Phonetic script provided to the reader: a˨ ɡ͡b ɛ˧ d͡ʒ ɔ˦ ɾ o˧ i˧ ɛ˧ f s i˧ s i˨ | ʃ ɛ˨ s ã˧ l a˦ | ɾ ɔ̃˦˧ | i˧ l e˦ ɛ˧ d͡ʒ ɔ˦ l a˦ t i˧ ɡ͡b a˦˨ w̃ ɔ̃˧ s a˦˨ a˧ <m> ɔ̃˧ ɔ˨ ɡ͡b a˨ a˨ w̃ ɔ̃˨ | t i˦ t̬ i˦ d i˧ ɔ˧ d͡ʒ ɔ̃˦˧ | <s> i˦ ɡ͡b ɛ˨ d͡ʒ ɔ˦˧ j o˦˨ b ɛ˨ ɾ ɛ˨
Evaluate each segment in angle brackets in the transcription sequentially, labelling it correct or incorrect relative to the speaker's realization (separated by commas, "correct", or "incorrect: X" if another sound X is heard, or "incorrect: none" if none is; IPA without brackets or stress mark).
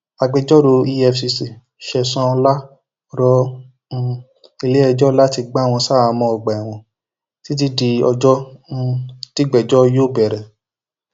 correct, incorrect: t